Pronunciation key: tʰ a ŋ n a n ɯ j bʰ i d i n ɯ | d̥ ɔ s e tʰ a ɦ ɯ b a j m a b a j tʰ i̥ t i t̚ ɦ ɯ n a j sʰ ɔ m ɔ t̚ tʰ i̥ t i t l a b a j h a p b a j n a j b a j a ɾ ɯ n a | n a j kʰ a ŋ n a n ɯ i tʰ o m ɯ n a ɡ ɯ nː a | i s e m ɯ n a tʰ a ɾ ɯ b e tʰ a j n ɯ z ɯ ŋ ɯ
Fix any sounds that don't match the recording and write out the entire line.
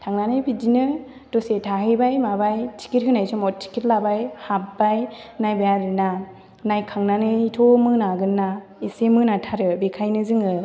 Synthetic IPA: tʰ a ŋ n a n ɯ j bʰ i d i n ɯ | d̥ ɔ s e tʰ a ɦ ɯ b a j m a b a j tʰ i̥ k i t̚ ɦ ɯ n a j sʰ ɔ m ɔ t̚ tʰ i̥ k i t l a b a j h a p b a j n a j b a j a ɾ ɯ n a | n a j kʰ a ŋ n a n ɯ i tʰ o m ɯ n a ɡ ɯ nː a | i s e m ɯ n a tʰ a ɾ ɯ b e kʰ a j n ɯ z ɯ ŋ ɯ